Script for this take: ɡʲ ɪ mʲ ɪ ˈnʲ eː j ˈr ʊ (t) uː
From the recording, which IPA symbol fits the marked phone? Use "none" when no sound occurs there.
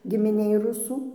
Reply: s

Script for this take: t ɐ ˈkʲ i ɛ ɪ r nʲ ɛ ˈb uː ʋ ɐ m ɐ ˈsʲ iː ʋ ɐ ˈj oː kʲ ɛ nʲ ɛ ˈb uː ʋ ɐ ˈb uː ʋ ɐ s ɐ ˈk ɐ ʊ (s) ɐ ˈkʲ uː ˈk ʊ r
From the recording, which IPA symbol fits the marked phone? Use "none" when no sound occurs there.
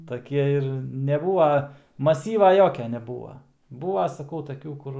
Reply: t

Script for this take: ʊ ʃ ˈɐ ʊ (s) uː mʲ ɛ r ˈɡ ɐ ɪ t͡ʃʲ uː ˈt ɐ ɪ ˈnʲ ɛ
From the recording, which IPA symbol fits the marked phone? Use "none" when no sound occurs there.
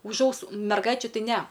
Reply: s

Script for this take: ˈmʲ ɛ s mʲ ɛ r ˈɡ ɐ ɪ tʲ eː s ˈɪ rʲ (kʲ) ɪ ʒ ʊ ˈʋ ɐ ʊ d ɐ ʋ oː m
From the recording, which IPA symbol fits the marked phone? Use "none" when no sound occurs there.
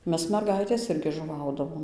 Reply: ɡʲ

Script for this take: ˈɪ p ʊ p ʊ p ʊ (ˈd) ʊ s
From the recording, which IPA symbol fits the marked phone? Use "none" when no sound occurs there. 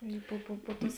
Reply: t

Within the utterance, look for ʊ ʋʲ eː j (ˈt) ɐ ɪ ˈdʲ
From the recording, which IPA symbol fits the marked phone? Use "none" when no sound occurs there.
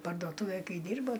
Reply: k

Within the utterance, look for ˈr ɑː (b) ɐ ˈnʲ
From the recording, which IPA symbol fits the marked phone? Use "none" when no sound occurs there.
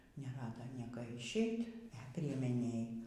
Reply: d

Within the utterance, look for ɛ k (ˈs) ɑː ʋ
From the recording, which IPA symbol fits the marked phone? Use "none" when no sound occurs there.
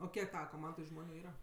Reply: t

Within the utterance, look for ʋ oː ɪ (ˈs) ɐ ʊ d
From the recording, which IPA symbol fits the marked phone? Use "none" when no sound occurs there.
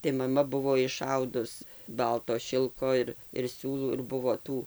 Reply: ʃ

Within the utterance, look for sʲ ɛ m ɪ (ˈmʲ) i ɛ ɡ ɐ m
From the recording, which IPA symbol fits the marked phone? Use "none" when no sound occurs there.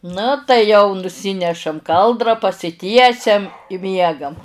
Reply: mʲ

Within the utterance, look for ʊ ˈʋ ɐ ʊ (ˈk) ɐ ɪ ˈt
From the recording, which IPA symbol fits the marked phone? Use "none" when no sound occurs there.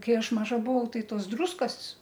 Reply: t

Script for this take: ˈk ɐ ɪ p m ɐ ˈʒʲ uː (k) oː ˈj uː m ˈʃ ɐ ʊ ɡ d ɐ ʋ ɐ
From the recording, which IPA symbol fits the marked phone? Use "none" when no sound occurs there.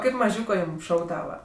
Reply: k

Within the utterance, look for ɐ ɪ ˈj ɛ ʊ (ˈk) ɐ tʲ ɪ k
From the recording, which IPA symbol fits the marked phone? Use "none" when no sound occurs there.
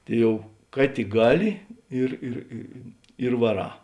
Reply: k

